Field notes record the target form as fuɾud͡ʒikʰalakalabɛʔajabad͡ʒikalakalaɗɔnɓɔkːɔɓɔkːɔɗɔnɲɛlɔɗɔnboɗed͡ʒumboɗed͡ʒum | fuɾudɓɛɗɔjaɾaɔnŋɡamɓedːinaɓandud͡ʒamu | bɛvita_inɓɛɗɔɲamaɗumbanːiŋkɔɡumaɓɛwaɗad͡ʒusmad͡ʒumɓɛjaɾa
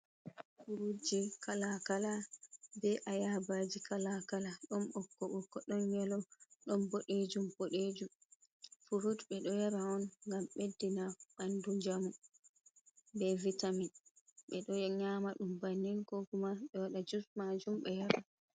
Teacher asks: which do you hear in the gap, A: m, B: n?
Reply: A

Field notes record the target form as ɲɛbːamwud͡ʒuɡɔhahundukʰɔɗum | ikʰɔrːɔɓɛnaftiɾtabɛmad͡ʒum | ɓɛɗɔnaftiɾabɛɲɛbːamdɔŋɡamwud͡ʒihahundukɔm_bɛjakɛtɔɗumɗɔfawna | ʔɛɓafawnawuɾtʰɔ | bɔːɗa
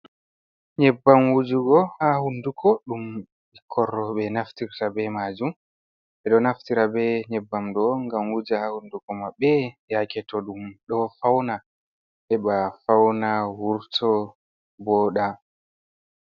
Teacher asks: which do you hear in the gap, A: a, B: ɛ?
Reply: A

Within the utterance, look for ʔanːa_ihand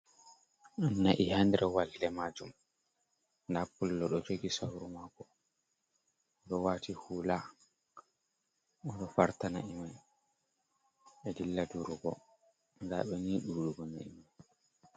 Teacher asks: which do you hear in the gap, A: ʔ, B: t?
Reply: A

